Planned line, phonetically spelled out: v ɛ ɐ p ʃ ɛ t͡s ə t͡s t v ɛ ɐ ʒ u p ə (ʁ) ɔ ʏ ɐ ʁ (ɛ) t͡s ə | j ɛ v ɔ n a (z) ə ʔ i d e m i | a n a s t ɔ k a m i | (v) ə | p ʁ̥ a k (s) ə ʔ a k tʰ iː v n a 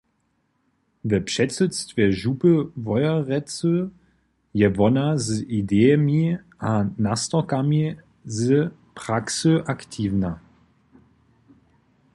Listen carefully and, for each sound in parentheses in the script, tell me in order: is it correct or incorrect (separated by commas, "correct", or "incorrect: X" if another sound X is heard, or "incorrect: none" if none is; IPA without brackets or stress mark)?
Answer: incorrect: v, correct, correct, incorrect: z, correct